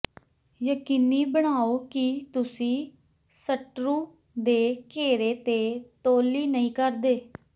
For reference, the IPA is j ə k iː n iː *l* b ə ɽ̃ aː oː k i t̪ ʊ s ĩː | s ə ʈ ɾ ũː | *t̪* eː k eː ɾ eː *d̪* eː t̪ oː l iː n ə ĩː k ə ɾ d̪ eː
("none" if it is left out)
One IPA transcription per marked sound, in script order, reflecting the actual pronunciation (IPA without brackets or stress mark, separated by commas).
none, d̪, t̪